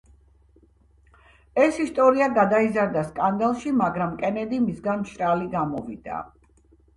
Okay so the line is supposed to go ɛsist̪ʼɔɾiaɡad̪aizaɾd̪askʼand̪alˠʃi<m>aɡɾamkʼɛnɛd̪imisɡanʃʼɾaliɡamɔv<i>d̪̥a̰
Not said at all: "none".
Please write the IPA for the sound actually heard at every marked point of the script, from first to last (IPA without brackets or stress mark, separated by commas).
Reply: m, i